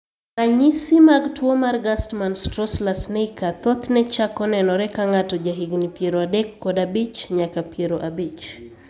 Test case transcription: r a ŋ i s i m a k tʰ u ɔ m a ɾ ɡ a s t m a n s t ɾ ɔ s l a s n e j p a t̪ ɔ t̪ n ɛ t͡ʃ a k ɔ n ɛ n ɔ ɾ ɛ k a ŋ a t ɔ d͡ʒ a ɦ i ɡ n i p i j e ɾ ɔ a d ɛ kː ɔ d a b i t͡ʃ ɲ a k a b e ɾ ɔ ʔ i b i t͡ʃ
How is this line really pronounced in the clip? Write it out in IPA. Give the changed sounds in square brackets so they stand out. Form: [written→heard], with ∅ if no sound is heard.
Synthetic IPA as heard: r a [ŋ→ɲ] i s i m a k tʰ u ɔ m a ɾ ɡ a s t m a n s t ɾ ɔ s l a s n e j [p→k] a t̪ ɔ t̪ n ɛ t͡ʃ a k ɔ n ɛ n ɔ ɾ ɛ k a ŋ a t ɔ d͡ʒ a ɦ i ɡ n i p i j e ɾ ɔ a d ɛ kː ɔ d a b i t͡ʃ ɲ a k a [b→p] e ɾ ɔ ʔ [i→a] b i t͡ʃ